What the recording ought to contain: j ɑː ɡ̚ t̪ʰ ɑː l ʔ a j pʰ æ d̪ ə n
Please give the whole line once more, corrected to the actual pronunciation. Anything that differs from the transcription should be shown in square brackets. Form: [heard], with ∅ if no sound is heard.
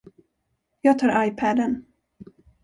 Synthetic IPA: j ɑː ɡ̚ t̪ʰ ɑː [ɾ] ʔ a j pʰ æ d̪ ə n

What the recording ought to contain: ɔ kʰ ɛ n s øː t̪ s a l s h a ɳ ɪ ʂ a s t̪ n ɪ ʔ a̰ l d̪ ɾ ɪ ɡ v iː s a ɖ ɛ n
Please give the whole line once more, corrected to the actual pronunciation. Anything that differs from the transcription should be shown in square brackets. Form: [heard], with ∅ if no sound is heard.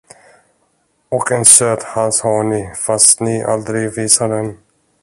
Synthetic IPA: ɔ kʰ ɛ n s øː t̪ [h] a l s h a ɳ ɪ [f] a s t̪ n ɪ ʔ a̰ l d̪ ɾ ɪ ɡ v iː s a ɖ ɛ n

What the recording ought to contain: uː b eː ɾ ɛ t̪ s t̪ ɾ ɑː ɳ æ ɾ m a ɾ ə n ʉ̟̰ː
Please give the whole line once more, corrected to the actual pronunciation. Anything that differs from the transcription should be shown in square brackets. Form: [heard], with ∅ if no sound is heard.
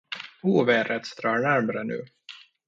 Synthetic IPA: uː [v] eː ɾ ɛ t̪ s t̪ ɾ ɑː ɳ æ ɾ m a ɾ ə n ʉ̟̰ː

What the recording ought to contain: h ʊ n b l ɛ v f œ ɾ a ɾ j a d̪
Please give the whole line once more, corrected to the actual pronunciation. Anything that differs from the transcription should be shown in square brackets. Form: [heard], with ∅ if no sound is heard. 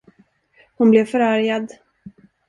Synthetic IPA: h ʊ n b l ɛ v f œ ɾ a ɾ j a d̪

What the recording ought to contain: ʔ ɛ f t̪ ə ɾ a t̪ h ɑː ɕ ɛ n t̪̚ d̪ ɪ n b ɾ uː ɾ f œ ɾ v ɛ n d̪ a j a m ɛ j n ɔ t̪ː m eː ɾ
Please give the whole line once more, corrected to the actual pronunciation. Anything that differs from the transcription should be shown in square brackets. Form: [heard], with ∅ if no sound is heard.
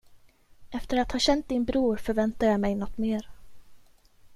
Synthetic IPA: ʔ ɛ f t̪ ə ɾ a t̪ h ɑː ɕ ɛ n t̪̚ d̪ ɪ n b ɾ uː ɾ f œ ɾ v ɛ n [t̪] a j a m ɛ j n ɔ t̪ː m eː ɾ

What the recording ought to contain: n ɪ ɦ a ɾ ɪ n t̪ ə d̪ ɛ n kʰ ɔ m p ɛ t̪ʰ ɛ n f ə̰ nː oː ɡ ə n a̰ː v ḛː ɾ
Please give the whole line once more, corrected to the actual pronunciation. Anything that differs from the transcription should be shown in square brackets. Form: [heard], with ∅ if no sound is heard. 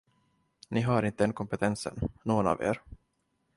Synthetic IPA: n ɪ ɦ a ɾ ɪ n t̪ ə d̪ ɛ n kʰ ɔ m p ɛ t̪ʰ ɛ n [s] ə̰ nː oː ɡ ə n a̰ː v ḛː ɾ

